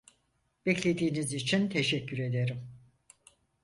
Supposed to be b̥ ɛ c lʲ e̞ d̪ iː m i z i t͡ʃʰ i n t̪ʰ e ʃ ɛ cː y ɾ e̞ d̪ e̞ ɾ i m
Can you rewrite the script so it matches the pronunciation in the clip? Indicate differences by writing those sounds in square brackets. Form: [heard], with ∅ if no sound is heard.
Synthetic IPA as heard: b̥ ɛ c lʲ e̞ d̪ iː [n] i z i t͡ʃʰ i n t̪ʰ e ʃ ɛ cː y ɾ e̞ d̪ e̞ ɾ i m

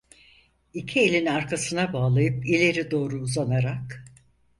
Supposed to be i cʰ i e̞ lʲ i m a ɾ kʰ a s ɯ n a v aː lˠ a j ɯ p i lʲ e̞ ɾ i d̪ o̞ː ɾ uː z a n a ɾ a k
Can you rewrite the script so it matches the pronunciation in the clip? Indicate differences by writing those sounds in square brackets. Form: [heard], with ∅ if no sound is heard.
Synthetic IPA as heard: i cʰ i e̞ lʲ i [n] a ɾ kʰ a s ɯ n a [b] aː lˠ a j ɯ p i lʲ e̞ ɾ i d̪ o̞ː ɾ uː z a n a ɾ a k

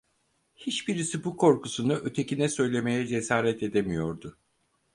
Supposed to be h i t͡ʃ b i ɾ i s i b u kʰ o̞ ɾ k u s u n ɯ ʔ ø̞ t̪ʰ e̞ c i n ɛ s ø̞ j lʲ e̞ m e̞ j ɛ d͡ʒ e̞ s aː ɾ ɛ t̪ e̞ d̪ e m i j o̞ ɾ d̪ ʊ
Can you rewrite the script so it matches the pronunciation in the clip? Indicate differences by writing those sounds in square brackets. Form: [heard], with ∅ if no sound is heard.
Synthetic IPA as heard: h i t͡ʃ b i ɾ i s i b u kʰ o̞ ɾ k u s u n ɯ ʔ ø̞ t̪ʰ e̞ c i n ɛ s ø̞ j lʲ e̞ m e̞ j ɛ d͡ʒ e̞ s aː ɾ ɛ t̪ e̞ d̪ e m i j o̞ ɾ d̪ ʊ

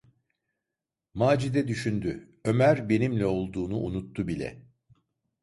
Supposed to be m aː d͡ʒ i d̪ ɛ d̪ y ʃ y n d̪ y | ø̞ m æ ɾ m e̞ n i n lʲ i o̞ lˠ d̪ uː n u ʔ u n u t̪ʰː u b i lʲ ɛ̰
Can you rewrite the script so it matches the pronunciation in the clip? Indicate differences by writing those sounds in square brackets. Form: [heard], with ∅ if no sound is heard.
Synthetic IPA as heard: m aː d͡ʒ i d̪ ɛ d̪ y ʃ y n d̪ y | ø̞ m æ ɾ [b] e̞ n i [m] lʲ [ɛ] o̞ lˠ d̪ uː n u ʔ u n u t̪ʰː u b i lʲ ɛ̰

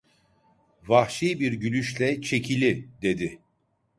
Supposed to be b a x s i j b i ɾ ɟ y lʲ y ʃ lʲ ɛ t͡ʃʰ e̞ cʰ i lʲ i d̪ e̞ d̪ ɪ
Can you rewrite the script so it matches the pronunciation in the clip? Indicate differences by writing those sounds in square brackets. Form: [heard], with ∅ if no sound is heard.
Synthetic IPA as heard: [v] a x [ʃ] i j b i ɾ ɟ y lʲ y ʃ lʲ ɛ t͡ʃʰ e̞ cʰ i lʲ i d̪ e̞ d̪ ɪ

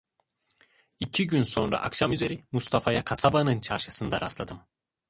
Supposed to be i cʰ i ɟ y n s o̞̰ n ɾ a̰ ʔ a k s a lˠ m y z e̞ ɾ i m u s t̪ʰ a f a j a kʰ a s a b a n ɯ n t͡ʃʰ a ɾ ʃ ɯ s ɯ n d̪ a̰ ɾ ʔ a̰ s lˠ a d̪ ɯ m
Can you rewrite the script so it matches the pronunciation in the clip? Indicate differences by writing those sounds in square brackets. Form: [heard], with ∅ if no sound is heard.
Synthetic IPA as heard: i cʰ i ɟ y n s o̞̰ n ɾ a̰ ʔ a k [ʃ] a [∅] m y z e̞ ɾ i m u s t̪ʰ a f a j a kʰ a s a b a n ɯ n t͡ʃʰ a ɾ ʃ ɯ s ɯ n d̪ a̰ ɾ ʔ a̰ s lˠ a d̪ ɯ m

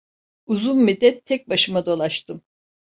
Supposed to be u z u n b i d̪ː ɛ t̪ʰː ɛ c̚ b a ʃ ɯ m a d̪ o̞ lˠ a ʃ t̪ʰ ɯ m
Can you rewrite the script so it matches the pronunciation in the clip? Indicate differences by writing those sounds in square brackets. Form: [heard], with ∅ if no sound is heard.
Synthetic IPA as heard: u z u n [m] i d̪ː ɛ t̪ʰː ɛ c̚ b a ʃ ɯ m a d̪ o̞ lˠ a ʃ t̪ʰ ɯ m

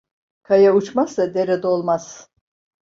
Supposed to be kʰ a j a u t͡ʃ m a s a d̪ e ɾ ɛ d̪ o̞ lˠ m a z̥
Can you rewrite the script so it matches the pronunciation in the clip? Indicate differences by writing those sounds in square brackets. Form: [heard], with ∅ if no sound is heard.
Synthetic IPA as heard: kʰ a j a u t͡ʃ m a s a d̪ e ɾ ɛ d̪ o̞ lˠ m a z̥

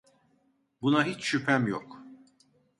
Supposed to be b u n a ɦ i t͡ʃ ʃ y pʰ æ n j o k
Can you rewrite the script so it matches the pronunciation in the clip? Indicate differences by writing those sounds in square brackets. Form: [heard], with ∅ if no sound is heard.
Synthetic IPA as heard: b u n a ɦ i t͡ʃ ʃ y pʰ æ [m] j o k

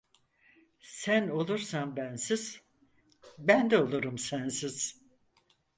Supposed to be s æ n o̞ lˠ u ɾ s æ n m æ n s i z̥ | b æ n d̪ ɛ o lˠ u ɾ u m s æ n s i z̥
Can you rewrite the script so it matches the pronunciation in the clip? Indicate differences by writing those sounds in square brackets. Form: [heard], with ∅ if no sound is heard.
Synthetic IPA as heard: s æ n o̞ lˠ u ɾ s [a] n [b] æ n s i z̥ | b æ n d̪ ɛ o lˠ u ɾ u m s æ n s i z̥

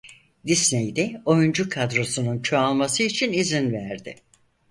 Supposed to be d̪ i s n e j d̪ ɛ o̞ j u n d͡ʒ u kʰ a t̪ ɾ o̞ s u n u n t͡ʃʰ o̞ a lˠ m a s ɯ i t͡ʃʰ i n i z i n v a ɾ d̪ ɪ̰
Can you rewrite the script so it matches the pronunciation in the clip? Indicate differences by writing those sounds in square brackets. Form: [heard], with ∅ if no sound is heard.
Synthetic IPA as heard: d̪ i s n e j d̪ ɛ o̞ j u n d͡ʒ u kʰ a [d̪] ɾ o̞ s u n u n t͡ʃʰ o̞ a lˠ m a s ɯ i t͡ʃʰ i n i z i n v [æ] ɾ d̪ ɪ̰

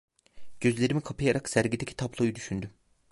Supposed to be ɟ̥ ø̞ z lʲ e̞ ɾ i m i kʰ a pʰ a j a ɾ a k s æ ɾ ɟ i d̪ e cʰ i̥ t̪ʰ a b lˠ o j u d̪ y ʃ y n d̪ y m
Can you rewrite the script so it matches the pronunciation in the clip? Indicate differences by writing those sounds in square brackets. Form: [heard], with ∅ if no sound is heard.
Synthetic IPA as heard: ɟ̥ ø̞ z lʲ e̞ ɾ i m i kʰ a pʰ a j a ɾ a k s æ ɾ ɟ i d̪ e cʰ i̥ t̪ʰ a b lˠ o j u d̪ y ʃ y n d̪ y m

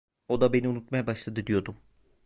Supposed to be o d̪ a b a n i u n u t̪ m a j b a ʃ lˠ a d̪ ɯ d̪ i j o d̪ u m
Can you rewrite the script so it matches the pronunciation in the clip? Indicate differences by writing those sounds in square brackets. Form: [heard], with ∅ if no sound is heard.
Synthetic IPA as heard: o d̪ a b [e] n i u n u t̪ m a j b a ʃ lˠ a d̪ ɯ d̪ i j o d̪ u m

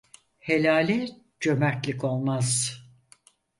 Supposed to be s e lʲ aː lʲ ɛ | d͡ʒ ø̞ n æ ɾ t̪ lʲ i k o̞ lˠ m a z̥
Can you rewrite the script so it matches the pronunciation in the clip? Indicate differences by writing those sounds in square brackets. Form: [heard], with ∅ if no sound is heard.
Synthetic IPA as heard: [h] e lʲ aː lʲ ɛ | d͡ʒ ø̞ [m] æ ɾ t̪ lʲ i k o̞ lˠ m a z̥

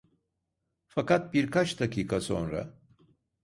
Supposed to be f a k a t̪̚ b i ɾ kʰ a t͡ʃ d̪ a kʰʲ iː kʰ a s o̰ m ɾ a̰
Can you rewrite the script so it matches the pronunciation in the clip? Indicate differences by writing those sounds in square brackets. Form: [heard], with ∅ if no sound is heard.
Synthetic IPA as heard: f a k a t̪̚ b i ɾ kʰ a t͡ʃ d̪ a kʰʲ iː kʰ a s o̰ [n] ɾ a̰

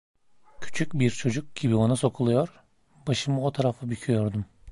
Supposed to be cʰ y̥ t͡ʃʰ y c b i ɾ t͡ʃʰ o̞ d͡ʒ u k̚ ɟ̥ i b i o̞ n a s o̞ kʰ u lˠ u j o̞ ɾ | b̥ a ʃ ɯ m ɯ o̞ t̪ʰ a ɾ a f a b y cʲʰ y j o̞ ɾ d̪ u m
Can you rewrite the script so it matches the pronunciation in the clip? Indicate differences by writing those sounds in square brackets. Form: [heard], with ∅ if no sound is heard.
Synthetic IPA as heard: cʰ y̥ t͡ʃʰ y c b i ɾ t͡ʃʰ o̞ d͡ʒ u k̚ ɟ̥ i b i o̞ n a s o̞ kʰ u lˠ u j o̞ ɾ | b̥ a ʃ ɯ m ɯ o̞ t̪ʰ a ɾ a f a b y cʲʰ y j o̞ ɾ d̪ u m

